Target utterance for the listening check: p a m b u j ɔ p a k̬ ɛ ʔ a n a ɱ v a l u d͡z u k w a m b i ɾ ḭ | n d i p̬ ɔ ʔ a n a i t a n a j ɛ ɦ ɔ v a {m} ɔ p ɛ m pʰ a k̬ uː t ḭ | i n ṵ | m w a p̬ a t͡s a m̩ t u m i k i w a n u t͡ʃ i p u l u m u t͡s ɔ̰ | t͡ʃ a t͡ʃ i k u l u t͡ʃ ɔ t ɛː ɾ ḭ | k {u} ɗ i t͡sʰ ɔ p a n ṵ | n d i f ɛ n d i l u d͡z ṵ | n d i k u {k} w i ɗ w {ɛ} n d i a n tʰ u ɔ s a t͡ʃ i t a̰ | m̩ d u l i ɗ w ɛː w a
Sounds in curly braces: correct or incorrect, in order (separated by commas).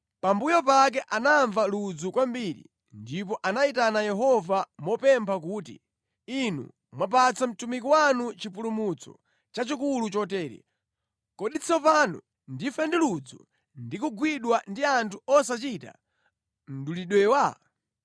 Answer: correct, incorrect, incorrect, incorrect